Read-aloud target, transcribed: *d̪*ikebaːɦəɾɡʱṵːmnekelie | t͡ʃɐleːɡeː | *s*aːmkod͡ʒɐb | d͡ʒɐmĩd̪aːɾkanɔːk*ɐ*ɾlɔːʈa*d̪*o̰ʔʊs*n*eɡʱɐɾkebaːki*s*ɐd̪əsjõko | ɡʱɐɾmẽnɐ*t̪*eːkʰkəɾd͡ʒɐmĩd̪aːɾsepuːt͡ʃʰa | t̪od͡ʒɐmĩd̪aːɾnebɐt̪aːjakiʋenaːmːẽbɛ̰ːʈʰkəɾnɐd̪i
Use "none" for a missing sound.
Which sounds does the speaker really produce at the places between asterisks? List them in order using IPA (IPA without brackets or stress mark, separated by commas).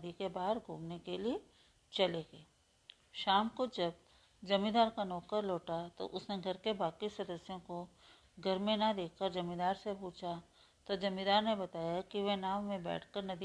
d̪, ʃ, ə, t̪, n, s, d̪